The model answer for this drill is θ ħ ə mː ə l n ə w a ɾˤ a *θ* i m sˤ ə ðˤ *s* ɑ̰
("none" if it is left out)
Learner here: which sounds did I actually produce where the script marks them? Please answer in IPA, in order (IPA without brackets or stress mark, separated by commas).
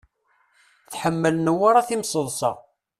θ, s